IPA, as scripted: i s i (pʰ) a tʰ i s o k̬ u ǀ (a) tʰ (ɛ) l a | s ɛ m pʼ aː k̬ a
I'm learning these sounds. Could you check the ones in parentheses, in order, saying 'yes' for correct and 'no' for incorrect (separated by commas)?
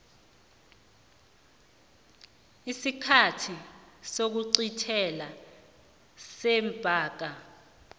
no, no, yes